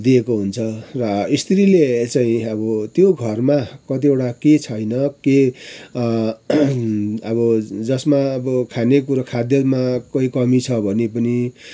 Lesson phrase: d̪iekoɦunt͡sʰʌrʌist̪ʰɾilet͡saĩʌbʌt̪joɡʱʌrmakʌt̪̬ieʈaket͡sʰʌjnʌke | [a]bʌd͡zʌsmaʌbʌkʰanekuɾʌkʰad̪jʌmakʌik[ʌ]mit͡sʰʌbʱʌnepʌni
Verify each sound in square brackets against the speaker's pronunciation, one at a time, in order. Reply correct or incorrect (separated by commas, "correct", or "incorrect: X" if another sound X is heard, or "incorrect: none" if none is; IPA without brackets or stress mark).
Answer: incorrect: ʌ, correct